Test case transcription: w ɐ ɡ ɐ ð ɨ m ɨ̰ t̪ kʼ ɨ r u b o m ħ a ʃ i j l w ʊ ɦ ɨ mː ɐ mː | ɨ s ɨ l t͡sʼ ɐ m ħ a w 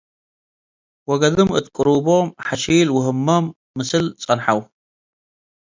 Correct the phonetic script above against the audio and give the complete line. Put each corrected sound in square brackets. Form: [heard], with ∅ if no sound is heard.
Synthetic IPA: w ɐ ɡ ɐ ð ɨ m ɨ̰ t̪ kʼ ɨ [ɾ] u b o m ħ a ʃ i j l w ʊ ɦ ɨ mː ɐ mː | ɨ s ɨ l t͡sʼ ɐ [n] ħ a w